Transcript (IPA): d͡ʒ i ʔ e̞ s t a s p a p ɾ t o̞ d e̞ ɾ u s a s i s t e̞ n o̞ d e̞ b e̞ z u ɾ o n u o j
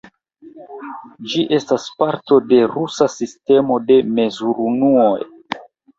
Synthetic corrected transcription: d͡ʒ i ʔ e̞ s t a s p a ɾ t o̞ d e̞ ɾ u s a s i s t e̞ m o̞ d e̞ m e̞ z u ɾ u n u o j